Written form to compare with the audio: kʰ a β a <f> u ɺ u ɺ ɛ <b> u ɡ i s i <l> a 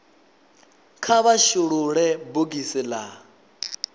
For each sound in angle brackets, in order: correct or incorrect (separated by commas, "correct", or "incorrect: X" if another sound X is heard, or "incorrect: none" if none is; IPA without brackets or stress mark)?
incorrect: ʃ, correct, correct